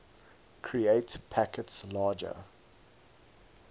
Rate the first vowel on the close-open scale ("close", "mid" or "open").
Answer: close